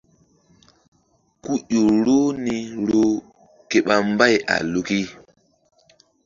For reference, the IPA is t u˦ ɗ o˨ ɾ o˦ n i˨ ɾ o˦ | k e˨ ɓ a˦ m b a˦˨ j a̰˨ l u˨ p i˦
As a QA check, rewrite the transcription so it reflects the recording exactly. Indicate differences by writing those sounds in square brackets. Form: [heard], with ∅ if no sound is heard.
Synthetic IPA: [k] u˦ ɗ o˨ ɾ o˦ n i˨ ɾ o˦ | k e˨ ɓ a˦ m b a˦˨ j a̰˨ l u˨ [k] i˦